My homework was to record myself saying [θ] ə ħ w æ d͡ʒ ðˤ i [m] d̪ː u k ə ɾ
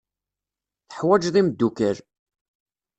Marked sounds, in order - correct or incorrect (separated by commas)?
correct, correct